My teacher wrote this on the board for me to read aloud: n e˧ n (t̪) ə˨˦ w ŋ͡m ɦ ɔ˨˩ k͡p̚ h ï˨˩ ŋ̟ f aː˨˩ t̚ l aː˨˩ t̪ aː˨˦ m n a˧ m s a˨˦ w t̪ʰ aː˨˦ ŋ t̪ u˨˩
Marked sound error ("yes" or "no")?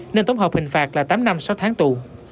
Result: no